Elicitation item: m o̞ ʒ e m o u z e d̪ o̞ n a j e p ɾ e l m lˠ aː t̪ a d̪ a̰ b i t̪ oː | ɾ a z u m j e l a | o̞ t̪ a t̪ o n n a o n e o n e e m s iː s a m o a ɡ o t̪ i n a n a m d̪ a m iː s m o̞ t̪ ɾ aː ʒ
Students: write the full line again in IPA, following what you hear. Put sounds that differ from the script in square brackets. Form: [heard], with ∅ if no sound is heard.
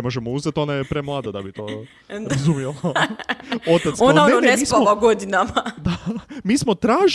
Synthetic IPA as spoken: m o̞ ʒ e m o u z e [t̪] o̞ n a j e p ɾ e [∅] m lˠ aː [d̪] a d̪ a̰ b i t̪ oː | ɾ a z u m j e l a | o̞ t̪ a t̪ o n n a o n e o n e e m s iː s a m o a ɡ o [d̪] i n a [m] a [∅] d̪ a m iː s m o̞ t̪ ɾ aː ʒ